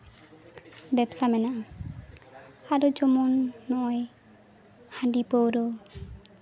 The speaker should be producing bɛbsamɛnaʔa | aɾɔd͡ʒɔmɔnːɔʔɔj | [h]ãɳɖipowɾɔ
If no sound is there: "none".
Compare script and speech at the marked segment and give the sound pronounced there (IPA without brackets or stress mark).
h